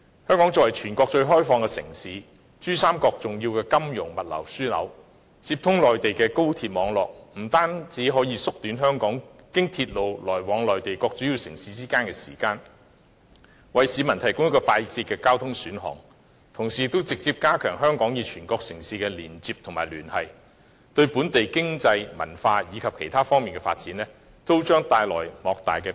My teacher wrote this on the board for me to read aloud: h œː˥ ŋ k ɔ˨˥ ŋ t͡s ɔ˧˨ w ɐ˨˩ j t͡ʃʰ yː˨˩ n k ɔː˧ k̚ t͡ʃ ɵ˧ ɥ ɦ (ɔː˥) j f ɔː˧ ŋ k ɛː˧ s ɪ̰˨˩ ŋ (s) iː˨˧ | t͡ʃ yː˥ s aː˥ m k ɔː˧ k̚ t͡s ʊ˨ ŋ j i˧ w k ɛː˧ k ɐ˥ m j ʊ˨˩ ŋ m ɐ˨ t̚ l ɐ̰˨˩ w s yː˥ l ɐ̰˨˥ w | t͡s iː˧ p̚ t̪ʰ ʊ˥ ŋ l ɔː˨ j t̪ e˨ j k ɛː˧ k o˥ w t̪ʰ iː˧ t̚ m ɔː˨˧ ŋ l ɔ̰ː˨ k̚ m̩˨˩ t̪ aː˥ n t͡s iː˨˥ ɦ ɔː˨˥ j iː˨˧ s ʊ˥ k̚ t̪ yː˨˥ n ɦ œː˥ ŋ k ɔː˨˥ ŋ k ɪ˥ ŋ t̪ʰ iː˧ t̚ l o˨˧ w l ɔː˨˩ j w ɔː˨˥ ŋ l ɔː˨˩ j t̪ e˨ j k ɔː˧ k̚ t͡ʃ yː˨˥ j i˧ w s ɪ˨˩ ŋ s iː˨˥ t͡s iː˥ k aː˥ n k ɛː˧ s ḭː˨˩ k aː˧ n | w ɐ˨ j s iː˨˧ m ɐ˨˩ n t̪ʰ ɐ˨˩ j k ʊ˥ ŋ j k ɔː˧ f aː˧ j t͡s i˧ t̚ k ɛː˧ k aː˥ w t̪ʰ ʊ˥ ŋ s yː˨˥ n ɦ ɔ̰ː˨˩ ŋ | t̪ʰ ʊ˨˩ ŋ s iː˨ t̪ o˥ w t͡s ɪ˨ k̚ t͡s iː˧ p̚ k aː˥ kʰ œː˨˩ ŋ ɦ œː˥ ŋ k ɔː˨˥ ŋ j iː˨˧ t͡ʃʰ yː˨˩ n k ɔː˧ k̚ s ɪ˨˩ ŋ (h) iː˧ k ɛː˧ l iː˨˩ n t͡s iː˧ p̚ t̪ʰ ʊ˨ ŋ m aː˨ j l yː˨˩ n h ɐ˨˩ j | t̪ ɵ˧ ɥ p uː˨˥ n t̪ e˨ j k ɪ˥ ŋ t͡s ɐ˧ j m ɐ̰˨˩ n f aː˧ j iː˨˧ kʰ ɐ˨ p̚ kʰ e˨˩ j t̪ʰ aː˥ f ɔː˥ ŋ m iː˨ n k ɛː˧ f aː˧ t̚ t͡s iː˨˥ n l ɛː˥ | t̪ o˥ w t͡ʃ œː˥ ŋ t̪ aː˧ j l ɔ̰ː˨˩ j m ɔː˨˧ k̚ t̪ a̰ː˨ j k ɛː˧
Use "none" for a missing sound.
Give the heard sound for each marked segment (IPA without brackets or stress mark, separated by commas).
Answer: ɔː˥, s, s